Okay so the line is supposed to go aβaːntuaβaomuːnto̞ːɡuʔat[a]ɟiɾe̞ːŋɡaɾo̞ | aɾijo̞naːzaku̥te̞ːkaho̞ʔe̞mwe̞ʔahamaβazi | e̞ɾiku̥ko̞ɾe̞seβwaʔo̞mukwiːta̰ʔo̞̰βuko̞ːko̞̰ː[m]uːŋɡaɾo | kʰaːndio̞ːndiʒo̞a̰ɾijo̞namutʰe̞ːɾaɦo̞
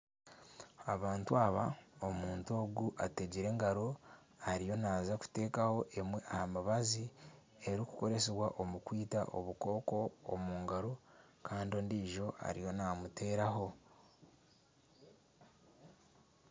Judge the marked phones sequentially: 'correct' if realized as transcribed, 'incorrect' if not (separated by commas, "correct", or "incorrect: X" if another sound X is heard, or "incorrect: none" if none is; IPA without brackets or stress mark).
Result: incorrect: e, correct